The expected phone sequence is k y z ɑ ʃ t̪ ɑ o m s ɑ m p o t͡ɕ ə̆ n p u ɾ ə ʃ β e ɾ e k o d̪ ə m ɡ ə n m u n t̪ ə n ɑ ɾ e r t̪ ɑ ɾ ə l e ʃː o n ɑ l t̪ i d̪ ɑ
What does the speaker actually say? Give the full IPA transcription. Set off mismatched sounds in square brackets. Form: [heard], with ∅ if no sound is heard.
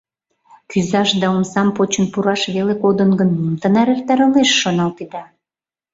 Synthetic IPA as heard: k y z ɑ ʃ [d̪] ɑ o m s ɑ m p o t͡ɕ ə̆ n p u ɾ [ɑ] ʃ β e [l] e k o d̪ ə [n] ɡ ə n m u [m] t̪ ə n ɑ ɾ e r t̪ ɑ ɾ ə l e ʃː o n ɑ l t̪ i d̪ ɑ